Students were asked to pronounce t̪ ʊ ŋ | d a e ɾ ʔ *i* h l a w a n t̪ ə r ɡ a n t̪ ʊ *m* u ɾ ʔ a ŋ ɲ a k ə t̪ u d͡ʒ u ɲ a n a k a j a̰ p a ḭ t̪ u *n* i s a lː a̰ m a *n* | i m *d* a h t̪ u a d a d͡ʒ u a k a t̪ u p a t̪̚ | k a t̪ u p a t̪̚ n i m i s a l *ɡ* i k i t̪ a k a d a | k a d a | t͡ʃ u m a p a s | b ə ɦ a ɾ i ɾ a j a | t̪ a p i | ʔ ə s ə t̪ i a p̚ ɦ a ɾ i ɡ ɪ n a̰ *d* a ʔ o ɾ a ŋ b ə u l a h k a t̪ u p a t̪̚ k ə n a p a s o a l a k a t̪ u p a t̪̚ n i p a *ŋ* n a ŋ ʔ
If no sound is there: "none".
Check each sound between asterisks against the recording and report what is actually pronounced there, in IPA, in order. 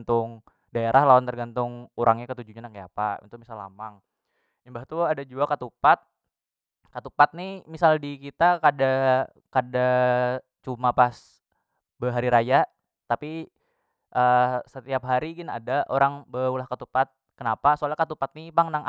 a, ŋ, m, ŋ, b, d, d, ŋ

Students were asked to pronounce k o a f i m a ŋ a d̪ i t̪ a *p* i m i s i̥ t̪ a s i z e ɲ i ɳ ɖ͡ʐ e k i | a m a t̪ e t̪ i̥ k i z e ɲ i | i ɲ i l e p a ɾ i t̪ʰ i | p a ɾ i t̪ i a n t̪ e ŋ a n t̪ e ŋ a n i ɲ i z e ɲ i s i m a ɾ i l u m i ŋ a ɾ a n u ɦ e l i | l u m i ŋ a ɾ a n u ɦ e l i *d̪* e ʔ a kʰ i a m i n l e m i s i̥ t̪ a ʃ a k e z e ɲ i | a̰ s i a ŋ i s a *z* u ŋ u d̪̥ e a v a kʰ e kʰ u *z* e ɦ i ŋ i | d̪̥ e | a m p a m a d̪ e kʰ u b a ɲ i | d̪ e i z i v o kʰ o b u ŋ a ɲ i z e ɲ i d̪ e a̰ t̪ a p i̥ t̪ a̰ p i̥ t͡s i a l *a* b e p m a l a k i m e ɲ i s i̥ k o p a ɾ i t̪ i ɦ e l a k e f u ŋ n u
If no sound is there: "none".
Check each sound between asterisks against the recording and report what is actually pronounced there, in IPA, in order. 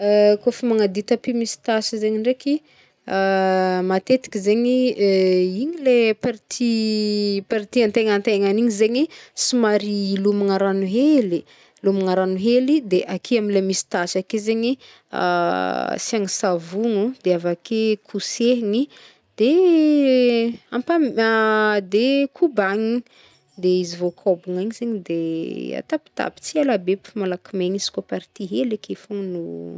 p, d̪, v, s, a

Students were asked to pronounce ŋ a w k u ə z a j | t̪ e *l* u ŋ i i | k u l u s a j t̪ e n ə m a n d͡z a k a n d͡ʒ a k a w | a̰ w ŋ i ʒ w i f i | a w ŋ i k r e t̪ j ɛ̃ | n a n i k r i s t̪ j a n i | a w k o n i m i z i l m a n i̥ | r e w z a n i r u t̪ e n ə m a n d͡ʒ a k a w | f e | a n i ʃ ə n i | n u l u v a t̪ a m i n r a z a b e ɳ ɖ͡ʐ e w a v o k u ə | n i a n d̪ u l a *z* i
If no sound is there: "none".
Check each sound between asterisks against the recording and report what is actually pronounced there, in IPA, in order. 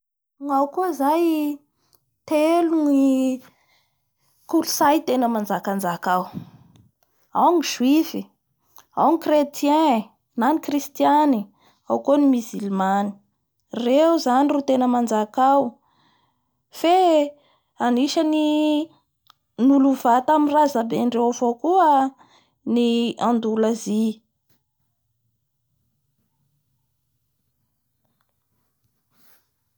l, z

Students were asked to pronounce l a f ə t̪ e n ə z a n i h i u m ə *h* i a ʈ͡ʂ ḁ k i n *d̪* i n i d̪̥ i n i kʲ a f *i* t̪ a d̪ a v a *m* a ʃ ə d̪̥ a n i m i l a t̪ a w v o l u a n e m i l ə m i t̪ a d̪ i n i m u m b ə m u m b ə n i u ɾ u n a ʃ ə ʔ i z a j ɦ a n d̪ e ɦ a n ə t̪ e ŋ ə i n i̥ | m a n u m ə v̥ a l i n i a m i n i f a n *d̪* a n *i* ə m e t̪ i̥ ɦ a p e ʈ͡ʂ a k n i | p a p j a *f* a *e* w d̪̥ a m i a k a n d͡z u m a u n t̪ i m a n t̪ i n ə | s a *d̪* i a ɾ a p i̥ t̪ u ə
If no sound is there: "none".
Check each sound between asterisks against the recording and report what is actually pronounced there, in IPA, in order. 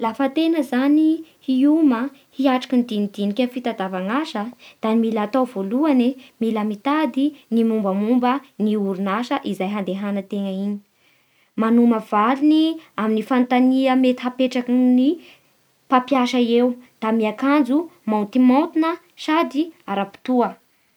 h, d̪, i, ŋ, t̪, i, ʃ, e, d̪

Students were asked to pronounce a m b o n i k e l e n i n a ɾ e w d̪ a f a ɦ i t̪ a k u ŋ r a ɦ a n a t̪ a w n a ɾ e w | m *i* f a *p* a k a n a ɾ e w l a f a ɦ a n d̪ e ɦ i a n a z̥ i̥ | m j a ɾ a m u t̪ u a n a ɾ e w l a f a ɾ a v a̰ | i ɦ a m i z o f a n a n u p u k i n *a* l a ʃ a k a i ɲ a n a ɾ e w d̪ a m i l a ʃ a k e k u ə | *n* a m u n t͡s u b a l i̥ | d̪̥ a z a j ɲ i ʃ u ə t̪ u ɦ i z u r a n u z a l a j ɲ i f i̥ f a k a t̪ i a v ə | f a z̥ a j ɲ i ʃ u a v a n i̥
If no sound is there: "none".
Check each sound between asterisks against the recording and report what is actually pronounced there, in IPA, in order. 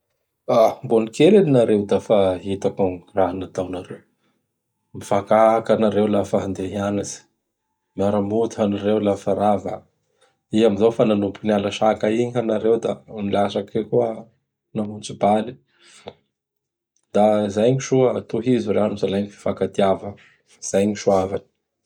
i, k, a, n

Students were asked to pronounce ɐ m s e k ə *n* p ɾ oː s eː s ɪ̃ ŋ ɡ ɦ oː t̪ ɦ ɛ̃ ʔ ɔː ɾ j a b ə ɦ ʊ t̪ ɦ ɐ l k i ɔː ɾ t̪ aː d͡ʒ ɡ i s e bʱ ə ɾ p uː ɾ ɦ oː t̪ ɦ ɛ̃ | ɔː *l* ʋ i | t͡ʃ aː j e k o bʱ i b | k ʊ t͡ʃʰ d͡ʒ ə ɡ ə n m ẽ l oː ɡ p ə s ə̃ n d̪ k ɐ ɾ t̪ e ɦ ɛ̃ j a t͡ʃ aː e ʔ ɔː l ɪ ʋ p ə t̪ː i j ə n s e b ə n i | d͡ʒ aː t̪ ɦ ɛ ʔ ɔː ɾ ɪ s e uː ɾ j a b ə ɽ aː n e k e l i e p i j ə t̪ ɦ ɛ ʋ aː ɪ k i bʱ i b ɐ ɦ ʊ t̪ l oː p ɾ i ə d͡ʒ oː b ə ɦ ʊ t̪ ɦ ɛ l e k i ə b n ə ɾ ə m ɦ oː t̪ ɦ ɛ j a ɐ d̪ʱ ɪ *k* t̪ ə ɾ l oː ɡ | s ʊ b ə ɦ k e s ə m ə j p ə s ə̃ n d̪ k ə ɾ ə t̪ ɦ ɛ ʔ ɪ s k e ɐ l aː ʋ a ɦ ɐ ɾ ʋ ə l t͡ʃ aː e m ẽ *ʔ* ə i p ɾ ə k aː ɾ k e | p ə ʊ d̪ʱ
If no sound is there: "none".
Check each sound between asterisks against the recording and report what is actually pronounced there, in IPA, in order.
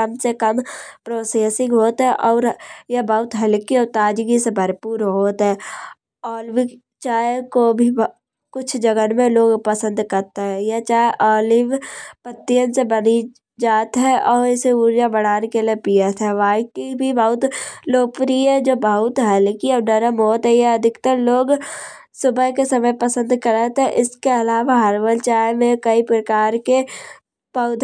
m, l, k, k

